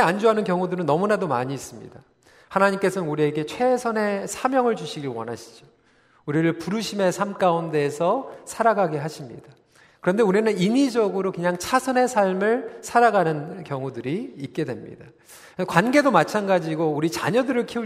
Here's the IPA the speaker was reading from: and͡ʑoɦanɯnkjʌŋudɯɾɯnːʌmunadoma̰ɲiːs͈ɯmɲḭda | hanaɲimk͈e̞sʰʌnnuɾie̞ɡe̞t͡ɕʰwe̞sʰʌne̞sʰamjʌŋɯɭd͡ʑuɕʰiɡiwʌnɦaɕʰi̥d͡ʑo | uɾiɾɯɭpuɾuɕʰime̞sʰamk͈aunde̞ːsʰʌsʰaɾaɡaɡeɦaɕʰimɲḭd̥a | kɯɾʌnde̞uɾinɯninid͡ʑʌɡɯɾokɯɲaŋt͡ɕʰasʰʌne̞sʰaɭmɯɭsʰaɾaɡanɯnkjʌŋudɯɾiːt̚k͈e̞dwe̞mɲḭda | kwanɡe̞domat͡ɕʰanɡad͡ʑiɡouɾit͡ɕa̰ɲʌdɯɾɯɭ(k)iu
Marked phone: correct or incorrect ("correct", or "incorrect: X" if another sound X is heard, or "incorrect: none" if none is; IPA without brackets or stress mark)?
incorrect: kʰ